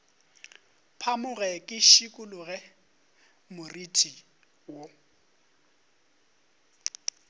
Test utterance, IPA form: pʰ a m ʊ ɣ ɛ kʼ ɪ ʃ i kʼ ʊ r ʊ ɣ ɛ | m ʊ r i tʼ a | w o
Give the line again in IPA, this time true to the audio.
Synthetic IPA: pʰ a m ʊ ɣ ɛ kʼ ɪ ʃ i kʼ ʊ l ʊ ɣ ɛ | m ʊ r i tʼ i | w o